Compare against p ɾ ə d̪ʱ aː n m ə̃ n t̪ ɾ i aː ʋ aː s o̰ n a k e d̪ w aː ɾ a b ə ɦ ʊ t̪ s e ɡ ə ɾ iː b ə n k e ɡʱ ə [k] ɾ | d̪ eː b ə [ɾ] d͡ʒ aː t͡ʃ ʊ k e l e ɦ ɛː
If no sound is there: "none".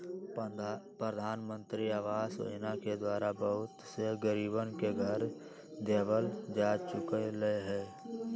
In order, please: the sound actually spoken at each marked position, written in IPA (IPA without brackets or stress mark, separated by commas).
none, l